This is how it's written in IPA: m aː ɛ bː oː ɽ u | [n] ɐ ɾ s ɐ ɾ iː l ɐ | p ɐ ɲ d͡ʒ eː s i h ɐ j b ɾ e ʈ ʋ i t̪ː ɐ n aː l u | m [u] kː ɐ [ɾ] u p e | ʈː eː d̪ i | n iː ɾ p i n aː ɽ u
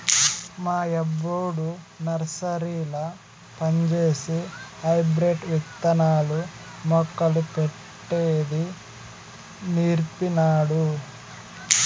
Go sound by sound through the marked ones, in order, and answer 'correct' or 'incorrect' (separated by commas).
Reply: correct, incorrect, incorrect